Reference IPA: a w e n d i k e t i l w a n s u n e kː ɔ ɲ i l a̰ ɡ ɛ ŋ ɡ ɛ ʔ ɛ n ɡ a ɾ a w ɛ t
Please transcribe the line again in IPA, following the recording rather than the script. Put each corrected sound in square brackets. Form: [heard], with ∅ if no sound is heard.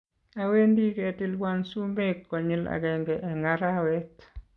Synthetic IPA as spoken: a w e n d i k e t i l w a n s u [m] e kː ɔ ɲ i l a̰ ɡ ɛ ŋ ɡ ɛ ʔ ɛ [ŋ] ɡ a ɾ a w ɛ t